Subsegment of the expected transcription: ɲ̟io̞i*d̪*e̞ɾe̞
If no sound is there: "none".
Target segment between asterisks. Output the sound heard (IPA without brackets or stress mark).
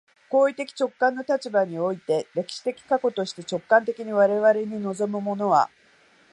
t̪